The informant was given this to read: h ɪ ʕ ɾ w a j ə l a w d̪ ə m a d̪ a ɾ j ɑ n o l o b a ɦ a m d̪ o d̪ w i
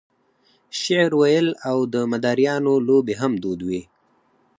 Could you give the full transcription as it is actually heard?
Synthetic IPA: ʃ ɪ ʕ ɾ w a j ə l a w d̪ ə m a d̪ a ɾ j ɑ n o l o b e ɦ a m d̪ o d̪ w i